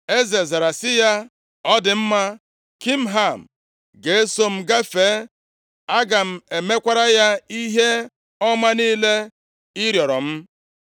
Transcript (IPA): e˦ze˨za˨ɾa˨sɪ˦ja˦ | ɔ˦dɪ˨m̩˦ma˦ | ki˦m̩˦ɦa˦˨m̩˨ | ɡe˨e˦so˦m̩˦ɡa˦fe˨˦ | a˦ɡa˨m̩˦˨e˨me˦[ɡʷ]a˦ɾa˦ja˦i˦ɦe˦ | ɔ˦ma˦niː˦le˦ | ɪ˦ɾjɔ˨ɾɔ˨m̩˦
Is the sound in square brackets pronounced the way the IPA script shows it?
no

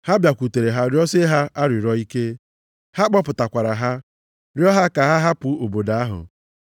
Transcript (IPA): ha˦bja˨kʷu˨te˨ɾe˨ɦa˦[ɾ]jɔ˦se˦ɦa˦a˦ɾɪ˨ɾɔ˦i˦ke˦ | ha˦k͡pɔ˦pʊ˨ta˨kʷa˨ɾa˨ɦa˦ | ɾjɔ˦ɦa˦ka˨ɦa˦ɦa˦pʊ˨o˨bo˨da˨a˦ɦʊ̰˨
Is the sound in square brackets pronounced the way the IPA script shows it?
yes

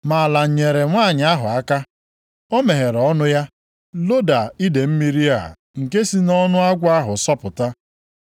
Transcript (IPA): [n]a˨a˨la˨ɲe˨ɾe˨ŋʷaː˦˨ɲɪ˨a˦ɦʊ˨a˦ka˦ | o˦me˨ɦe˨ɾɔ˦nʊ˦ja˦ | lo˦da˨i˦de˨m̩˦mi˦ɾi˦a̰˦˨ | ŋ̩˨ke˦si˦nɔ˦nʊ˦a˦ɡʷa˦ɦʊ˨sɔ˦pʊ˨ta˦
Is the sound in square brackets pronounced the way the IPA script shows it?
no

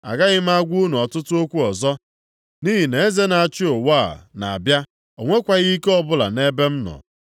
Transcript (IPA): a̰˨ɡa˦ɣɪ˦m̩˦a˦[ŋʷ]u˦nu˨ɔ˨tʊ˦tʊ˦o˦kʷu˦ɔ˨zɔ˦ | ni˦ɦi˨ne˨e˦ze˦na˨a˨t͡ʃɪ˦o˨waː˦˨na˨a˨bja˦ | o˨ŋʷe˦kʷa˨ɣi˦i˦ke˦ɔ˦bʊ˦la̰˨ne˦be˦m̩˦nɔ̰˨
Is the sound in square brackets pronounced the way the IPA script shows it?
no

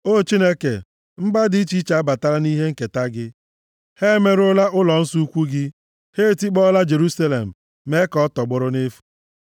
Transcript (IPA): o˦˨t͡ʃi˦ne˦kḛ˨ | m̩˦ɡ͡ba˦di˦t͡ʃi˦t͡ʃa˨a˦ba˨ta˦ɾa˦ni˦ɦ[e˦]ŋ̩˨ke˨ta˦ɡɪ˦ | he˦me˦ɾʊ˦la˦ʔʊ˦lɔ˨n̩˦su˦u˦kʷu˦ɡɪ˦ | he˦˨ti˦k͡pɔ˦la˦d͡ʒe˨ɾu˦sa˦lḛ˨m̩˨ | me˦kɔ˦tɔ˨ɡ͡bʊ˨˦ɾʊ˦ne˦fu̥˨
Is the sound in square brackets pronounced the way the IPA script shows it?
yes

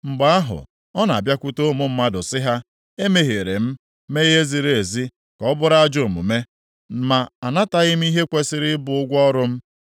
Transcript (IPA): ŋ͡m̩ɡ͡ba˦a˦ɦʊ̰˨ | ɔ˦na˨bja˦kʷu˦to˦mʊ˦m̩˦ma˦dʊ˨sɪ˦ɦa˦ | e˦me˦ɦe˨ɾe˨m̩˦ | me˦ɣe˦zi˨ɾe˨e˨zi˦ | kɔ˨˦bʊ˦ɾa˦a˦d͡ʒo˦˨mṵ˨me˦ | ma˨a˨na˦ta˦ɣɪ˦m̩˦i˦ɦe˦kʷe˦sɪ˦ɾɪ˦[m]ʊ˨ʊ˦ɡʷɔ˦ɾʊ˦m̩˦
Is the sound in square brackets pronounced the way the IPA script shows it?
no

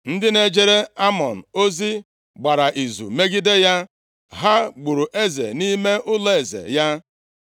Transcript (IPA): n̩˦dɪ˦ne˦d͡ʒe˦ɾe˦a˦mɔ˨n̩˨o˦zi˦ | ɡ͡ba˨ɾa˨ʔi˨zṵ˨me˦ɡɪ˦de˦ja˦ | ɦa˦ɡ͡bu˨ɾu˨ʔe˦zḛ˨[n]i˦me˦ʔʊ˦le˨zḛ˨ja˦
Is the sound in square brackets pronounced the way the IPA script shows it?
yes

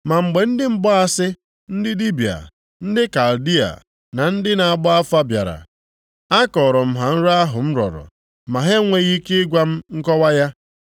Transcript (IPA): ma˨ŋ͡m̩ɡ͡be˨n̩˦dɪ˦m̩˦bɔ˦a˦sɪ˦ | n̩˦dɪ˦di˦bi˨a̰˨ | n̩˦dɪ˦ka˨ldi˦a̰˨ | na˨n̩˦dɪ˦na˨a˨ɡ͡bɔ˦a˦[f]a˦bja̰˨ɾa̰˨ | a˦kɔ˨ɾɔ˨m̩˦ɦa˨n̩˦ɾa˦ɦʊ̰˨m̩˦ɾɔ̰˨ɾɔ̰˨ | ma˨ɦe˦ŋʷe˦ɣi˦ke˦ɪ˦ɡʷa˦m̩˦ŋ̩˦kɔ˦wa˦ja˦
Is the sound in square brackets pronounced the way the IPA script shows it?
yes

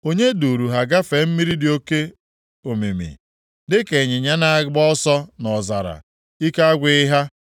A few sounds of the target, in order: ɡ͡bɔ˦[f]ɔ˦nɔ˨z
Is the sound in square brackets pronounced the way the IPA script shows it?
no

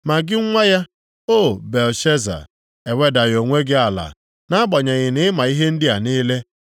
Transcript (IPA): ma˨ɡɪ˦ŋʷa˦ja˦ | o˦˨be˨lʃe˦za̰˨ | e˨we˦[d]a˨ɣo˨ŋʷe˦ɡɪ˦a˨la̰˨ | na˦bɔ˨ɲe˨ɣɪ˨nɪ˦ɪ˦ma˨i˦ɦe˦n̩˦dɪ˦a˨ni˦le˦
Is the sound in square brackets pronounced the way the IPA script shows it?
yes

